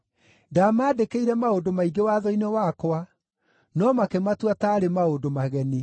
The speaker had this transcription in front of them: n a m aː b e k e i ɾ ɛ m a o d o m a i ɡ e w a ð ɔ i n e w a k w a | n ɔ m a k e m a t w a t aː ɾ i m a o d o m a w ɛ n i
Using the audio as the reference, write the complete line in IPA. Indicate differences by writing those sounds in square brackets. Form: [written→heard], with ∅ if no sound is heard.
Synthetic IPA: [n→d] a m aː [b→d] e k e i ɾ ɛ m a o d o m a i ɡ e w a ð ɔ i n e w a k w a | n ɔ m a k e m a t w a t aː ɾ [i→e] m a o d o m a [w→ɣ] ɛ n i